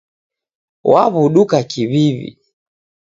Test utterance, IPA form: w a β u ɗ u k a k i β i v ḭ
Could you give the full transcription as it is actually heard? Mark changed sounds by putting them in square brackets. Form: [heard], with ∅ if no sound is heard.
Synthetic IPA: w a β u ɗ u k a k i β i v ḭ